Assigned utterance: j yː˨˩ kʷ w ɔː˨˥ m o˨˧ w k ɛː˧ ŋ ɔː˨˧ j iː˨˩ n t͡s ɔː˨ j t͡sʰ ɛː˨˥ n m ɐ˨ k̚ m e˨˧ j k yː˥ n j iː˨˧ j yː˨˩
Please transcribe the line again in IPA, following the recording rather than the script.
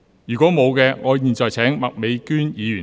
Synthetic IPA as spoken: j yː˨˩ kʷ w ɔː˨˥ m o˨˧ w k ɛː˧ ŋ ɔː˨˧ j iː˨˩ n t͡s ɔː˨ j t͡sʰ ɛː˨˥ ŋ m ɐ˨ k̚ m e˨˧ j k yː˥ n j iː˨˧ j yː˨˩